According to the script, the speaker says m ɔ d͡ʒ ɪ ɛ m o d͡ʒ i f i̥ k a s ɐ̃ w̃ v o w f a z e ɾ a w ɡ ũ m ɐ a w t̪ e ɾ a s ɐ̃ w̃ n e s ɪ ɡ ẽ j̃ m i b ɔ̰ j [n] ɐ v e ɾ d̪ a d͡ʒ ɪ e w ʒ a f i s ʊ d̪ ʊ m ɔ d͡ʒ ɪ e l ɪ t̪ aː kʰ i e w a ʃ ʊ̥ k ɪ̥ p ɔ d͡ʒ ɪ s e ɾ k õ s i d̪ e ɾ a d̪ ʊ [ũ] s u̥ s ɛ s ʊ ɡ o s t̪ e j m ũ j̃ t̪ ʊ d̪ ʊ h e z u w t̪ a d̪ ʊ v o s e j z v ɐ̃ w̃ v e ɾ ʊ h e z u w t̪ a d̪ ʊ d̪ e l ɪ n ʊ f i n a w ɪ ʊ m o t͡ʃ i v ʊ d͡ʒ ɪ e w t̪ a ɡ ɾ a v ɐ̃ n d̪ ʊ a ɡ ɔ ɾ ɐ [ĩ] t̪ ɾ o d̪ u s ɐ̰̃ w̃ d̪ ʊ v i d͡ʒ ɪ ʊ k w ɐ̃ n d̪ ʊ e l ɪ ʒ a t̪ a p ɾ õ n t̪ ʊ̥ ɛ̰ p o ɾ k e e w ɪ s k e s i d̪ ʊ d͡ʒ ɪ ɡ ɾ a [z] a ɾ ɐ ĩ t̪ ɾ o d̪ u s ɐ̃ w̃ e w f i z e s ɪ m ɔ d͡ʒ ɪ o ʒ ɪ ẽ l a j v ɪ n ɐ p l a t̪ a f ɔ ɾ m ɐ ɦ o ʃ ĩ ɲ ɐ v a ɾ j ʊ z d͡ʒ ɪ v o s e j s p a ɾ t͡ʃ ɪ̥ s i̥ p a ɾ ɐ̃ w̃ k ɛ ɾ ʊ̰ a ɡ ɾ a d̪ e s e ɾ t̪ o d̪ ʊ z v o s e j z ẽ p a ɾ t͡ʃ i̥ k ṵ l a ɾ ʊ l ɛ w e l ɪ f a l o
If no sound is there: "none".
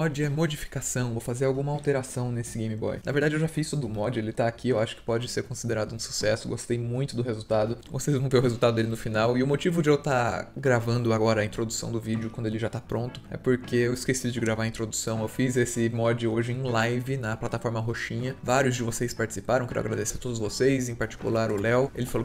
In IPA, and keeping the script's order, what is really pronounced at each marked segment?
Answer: n, ũ, ĩ, v

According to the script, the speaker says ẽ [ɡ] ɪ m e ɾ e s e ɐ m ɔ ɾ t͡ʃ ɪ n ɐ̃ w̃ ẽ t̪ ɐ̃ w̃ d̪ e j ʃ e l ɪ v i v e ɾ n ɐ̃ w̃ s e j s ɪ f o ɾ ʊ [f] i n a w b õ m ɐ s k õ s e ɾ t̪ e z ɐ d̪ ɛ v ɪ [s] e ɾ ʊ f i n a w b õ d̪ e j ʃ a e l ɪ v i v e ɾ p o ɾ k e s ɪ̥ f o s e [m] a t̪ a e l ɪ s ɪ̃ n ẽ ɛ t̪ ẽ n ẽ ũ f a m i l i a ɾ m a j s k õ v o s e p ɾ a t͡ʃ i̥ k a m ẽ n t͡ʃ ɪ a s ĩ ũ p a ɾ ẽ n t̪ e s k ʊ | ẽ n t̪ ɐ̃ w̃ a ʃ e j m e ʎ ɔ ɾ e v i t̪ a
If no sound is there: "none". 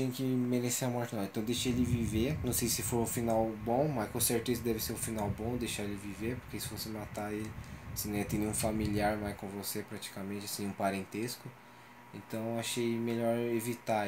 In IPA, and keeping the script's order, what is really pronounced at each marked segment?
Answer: k, f, s, m

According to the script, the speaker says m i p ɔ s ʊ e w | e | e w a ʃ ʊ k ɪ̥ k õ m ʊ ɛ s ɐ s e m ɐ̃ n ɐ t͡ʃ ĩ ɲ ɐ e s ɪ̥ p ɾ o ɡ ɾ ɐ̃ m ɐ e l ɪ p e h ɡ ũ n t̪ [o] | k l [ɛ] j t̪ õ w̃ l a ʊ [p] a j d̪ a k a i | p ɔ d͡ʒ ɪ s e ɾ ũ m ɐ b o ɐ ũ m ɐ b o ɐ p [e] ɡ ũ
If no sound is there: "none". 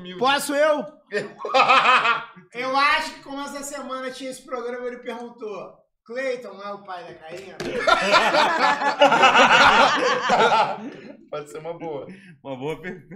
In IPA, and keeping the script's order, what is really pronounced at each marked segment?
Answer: o, e, p, e

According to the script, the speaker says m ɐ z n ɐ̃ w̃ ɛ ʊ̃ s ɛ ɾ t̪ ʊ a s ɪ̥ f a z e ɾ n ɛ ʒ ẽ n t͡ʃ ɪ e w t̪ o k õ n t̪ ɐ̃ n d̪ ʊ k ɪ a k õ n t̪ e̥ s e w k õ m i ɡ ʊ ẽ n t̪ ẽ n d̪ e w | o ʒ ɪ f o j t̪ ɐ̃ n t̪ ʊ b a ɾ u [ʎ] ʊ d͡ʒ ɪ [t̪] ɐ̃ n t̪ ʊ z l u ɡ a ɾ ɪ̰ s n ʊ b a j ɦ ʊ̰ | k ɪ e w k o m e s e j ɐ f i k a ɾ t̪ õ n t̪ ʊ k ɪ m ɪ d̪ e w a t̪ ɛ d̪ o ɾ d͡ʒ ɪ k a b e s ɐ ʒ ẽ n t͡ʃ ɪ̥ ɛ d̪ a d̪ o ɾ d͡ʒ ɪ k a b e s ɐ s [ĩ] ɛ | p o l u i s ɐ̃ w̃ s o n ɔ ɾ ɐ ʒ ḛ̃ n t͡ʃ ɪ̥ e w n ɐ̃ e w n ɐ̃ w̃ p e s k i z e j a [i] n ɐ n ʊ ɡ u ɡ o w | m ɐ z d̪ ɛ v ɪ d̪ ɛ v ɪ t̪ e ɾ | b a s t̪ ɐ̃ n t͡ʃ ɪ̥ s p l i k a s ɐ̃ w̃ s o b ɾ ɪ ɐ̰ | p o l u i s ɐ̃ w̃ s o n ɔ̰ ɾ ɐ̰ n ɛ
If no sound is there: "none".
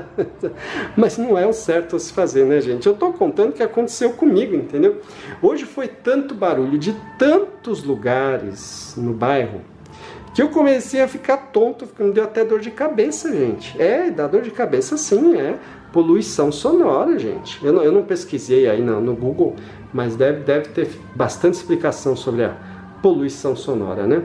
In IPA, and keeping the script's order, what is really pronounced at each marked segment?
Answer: ʎ, t̪, ĩ, i

